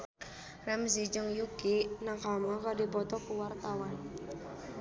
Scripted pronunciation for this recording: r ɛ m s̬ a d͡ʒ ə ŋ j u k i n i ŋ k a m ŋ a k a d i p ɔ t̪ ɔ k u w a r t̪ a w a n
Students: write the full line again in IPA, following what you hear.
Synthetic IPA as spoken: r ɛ m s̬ i d͡ʒ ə ŋ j u k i n a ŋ k a m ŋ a k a d i p ɔ t̪ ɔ k u w a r t̪ a w a n

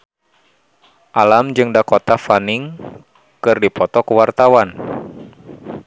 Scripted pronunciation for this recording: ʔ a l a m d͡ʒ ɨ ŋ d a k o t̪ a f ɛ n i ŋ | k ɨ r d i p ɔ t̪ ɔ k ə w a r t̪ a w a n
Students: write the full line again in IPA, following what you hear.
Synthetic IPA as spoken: ʔ a l a m d͡ʒ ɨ ŋ d a k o t̪ a f a n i ŋ | k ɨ r d i p ɔ t̪ ɔ k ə w a r t̪ a w a n

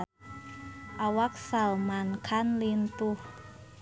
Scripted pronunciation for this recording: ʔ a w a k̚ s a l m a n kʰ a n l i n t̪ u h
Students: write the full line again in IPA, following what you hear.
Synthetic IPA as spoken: ʔ a w a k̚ s a l m a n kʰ a n l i n t̪ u h

